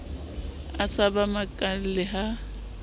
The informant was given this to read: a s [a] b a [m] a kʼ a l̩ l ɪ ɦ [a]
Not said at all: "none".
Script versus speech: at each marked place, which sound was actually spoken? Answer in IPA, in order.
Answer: a, m, a

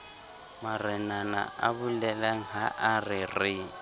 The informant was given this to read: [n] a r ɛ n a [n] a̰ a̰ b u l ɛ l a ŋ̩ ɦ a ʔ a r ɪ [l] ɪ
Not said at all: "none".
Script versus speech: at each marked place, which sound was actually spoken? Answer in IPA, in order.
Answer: m, n, r

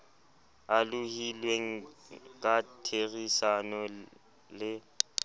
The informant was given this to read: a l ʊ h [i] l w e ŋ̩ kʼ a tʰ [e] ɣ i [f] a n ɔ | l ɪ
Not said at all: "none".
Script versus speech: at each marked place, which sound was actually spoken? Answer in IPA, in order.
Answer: i, e, s

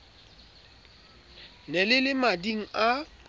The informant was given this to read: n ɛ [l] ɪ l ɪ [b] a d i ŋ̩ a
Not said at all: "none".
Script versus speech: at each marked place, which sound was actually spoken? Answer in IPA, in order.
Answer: l, m

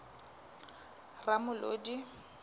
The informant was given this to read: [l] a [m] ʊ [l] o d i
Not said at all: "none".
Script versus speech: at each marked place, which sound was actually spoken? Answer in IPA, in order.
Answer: r, m, l

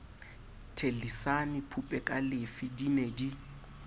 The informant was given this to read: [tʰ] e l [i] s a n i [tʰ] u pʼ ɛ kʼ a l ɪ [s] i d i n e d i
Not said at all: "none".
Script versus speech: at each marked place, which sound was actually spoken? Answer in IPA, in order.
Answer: tʰ, i, pʰ, f

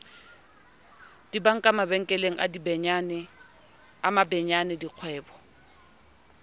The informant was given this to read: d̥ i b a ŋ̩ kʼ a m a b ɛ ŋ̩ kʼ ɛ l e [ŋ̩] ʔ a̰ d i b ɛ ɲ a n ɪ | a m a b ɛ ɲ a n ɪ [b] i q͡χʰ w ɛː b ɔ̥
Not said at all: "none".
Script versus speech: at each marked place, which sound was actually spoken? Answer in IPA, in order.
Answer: ŋ̩, d

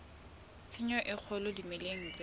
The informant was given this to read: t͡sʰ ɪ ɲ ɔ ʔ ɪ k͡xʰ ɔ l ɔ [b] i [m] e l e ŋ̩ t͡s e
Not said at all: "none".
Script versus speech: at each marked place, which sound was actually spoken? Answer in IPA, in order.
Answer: d, m

